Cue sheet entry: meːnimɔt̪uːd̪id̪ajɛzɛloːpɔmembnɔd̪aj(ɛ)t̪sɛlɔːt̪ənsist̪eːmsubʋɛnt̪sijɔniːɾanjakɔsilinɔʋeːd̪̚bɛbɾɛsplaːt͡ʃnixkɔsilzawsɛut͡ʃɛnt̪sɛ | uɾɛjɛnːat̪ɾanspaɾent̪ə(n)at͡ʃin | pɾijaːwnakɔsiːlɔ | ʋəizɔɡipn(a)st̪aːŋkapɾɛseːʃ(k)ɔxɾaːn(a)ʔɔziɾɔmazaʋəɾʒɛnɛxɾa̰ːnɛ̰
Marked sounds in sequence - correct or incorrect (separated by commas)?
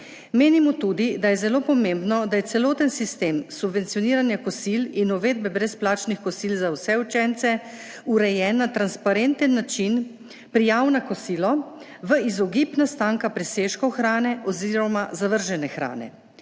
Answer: correct, incorrect, correct, correct, incorrect